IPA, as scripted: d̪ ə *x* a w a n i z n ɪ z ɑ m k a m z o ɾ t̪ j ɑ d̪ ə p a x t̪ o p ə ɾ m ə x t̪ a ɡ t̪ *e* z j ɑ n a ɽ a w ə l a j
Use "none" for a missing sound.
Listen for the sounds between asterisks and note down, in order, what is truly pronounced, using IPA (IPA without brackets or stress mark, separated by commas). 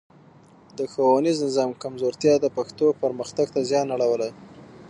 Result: x, a